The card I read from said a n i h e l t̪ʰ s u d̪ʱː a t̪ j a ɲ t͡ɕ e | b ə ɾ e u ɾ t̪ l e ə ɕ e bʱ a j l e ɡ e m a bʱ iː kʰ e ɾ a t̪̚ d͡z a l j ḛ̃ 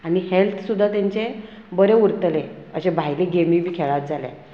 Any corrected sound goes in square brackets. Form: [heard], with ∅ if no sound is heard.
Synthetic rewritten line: a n i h e l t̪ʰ s u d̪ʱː a t̪ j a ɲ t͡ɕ e | b ə ɾ e u ɾ t̪ l e ə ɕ e bʱ a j l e ɡ e m [i] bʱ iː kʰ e [ɭ] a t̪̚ d͡z a l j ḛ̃

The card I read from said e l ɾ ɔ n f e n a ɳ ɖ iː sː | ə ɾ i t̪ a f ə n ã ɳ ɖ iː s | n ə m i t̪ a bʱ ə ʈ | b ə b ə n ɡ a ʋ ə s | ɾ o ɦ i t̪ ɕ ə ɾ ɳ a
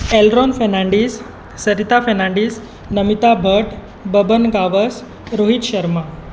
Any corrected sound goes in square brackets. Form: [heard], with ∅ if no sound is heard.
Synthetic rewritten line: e l ɾ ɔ n f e n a ɳ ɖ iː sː | ə ɾ i t̪ a f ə n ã ɳ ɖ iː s | n ə m i t̪ a bʱ ə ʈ | b ə b ə n ɡ a ʋ ə s | ɾ o ɦ i t̪ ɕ ə ɾ [m] a

